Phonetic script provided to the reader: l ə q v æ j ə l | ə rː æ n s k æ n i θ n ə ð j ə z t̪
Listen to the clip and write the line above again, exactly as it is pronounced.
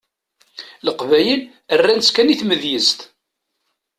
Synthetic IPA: l ə q v æ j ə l | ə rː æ n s k æ n i θ m ə ð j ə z t̪